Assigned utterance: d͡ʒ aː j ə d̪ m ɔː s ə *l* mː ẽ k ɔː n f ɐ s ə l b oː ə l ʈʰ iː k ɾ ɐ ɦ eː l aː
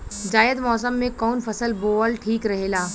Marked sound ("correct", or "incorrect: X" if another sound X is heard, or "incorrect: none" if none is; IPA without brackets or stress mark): incorrect: none